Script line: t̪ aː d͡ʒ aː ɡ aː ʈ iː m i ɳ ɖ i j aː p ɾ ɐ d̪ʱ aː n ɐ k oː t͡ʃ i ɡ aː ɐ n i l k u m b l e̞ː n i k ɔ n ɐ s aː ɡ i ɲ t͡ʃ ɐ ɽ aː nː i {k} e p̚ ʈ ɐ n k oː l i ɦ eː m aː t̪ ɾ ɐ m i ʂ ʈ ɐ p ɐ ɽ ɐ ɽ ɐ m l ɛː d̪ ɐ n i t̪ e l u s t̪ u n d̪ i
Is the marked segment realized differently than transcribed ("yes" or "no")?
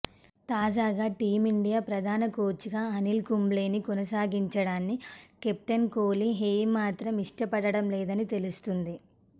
no